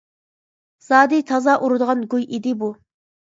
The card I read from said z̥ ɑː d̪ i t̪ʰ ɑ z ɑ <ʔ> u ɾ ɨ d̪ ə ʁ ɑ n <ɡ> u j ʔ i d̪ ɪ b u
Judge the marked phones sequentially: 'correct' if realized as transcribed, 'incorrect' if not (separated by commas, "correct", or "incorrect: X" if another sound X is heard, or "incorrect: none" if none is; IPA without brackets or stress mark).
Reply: correct, correct